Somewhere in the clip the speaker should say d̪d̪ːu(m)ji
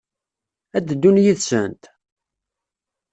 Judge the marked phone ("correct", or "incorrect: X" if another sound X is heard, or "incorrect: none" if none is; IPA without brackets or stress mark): incorrect: n